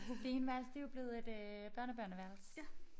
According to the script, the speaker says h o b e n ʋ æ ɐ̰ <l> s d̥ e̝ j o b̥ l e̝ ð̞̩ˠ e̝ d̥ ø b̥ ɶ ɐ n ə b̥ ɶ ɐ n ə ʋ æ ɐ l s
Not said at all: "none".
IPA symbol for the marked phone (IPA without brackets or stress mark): l